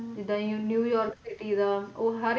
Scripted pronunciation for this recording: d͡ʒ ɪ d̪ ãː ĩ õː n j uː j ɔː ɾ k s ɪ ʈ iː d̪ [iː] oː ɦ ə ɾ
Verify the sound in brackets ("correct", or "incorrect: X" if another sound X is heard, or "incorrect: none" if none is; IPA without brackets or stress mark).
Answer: incorrect: aː